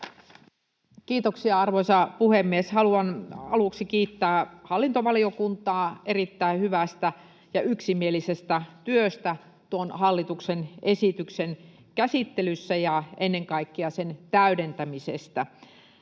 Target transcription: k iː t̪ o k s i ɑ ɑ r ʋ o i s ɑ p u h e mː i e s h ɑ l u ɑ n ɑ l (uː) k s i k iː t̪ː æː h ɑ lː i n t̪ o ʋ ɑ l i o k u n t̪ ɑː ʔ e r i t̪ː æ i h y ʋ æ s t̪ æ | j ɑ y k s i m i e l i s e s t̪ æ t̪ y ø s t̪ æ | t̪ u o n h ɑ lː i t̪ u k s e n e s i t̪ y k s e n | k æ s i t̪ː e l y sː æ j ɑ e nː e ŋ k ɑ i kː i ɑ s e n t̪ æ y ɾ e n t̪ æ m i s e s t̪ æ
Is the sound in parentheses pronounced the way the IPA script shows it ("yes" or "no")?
no